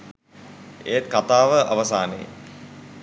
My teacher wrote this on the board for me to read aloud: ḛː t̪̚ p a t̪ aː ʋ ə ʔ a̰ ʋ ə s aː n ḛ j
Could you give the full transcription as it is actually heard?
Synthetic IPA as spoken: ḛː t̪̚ k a t̪ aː ʋ ə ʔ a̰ ʋ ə s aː n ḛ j